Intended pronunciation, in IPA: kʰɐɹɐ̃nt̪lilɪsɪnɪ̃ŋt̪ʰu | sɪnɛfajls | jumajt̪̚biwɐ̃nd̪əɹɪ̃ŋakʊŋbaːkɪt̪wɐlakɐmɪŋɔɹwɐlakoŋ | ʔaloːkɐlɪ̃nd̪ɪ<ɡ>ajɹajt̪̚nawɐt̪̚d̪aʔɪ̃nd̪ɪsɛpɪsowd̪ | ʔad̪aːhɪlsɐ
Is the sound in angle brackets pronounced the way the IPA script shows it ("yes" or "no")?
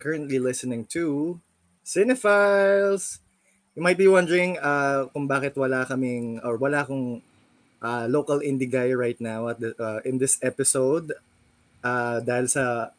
yes